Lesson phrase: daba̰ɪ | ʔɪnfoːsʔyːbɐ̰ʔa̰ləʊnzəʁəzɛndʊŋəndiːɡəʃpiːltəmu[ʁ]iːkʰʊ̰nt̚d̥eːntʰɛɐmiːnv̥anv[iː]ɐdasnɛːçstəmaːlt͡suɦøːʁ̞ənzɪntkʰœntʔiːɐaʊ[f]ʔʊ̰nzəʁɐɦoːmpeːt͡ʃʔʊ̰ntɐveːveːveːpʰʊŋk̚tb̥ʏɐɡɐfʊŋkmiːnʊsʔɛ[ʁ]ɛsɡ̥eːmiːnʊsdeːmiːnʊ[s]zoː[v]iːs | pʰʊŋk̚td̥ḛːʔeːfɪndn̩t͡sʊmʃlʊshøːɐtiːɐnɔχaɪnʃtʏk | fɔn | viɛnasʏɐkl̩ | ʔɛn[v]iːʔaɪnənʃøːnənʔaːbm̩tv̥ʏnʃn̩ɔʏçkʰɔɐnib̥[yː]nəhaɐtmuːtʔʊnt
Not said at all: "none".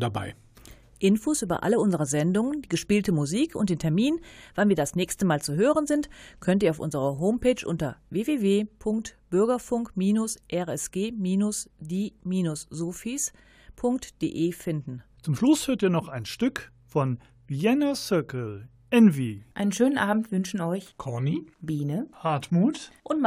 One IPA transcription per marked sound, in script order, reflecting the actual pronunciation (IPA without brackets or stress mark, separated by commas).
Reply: z, iː, f, ʁ, s, f, v, iː